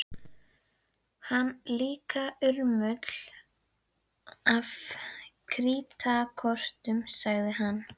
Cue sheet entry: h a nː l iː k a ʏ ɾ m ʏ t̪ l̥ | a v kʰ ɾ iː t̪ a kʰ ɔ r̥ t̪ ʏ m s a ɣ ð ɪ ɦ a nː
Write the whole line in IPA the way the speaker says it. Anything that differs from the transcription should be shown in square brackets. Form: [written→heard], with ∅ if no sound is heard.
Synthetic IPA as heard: h a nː l iː k a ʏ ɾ m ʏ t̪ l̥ | a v kʰ ɾ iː t̪ a kʰ ɔ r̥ t̪ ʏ m s a ɣ ð ɪ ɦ a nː